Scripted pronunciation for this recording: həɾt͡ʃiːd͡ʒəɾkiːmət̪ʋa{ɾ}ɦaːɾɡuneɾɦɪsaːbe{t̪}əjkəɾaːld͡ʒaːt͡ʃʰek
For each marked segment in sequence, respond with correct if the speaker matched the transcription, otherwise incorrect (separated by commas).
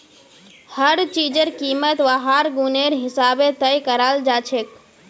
incorrect, correct